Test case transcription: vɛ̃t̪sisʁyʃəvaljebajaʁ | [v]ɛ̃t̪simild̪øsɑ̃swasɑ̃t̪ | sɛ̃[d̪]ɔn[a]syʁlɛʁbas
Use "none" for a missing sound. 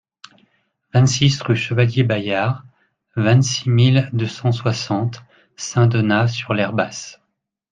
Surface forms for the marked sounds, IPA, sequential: v, d̪, a

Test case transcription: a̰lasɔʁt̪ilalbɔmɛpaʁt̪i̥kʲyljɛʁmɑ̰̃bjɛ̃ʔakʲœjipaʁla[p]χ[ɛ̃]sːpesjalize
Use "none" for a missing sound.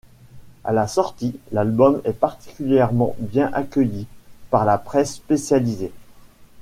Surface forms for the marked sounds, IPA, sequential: p, ɛ

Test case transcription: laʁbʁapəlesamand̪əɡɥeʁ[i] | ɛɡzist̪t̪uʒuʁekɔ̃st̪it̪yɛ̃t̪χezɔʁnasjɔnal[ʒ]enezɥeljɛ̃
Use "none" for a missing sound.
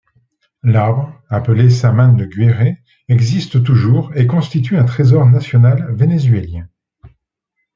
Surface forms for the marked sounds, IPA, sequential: e, v

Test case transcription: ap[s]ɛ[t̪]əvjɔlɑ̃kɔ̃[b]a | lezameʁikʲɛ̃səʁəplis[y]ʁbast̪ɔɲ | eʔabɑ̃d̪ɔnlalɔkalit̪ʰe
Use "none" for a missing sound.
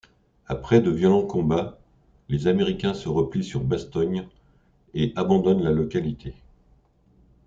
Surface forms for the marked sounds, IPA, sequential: χ, d̪, b, y

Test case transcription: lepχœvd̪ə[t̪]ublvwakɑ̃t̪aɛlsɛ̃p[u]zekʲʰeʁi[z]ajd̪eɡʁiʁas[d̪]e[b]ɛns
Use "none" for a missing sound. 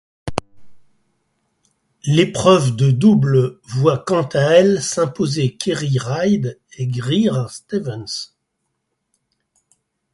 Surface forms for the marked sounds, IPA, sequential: d̪, o, ʁ, t̪, v

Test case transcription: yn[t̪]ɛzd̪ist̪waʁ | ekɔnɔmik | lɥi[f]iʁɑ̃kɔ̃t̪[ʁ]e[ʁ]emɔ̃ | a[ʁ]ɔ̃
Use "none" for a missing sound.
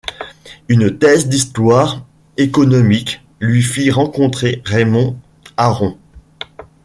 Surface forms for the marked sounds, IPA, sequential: t̪, f, χ, ʁ, ʁ

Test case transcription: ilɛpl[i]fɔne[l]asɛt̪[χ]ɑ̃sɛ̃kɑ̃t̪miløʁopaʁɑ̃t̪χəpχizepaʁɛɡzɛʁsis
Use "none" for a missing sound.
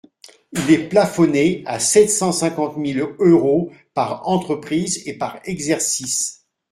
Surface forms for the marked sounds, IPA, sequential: a, none, s

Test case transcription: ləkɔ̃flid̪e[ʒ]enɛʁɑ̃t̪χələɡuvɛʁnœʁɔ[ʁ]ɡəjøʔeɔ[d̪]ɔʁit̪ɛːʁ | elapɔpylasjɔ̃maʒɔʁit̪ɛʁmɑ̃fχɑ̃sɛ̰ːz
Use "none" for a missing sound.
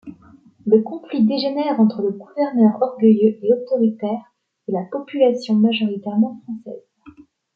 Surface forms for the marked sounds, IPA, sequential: ʒ, ʁ, t̪

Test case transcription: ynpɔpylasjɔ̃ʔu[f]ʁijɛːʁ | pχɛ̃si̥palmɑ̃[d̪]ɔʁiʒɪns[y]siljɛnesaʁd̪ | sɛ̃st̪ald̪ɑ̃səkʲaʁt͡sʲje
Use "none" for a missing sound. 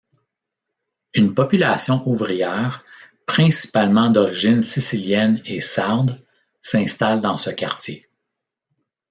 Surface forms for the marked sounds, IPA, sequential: v, d̪, i

